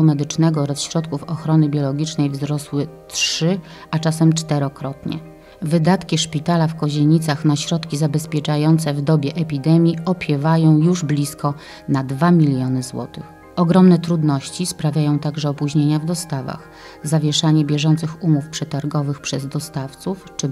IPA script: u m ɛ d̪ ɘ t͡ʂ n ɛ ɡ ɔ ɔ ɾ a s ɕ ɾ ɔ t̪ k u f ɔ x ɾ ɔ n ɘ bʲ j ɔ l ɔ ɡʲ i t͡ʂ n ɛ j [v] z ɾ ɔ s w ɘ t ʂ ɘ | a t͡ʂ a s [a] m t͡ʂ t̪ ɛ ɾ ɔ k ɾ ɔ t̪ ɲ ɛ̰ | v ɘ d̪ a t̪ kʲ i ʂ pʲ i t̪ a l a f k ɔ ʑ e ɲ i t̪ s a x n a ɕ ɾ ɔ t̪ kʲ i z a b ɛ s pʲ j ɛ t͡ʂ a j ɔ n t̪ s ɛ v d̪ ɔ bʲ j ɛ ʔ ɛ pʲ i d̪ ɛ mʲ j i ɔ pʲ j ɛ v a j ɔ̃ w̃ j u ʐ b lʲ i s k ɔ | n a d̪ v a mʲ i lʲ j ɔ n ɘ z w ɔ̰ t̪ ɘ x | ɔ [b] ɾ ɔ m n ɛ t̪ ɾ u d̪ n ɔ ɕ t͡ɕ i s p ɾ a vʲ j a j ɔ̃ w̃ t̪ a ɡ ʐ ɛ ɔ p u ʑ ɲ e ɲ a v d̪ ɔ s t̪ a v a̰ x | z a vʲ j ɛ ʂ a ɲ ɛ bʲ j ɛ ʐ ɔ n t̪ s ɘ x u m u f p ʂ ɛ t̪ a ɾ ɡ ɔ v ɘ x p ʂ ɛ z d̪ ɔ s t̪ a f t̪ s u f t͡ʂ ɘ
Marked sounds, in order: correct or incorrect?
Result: correct, incorrect, incorrect

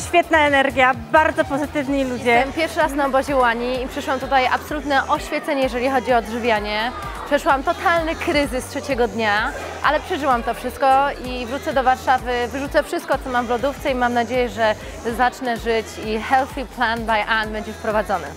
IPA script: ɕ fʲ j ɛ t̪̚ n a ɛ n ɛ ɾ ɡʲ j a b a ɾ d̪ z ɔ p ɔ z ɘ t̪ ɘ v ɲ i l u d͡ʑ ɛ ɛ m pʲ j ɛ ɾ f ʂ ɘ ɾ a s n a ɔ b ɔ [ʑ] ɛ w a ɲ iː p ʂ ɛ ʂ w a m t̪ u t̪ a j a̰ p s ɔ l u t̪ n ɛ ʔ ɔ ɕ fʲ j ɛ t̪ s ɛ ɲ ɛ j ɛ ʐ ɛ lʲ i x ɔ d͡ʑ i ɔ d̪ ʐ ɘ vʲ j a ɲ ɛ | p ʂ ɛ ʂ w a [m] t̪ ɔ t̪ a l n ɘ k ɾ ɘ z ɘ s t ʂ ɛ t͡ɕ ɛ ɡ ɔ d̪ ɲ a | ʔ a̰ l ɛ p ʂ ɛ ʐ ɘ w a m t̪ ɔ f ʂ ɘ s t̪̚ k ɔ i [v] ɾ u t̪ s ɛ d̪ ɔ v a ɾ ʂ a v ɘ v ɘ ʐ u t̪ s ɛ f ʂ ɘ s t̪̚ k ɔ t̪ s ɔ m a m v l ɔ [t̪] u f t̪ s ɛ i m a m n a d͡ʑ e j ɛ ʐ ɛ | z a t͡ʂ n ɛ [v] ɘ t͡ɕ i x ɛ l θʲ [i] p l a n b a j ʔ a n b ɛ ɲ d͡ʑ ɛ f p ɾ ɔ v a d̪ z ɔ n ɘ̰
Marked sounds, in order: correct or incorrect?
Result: correct, correct, correct, incorrect, incorrect, correct

